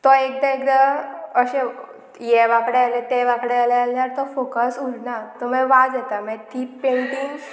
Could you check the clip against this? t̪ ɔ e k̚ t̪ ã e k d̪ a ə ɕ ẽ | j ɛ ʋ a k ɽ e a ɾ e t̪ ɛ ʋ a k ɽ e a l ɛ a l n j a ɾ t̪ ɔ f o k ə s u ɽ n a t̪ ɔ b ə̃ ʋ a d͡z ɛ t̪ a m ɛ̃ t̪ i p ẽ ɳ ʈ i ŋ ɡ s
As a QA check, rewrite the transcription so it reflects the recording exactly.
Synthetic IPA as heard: t̪ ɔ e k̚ d̪ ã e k d̪ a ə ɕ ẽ | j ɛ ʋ a k ɽ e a l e t̪ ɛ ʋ a k ɽ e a l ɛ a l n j a ɾ t̪ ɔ f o k ə s u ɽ n a t̪ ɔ m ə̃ ʋ a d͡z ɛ t̪ a m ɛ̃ t̪ i p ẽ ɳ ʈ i ŋ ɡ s